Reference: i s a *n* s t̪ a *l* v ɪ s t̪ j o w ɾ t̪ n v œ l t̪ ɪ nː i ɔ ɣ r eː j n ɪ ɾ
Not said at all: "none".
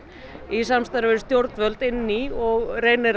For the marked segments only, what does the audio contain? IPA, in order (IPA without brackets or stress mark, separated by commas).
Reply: m, ɾ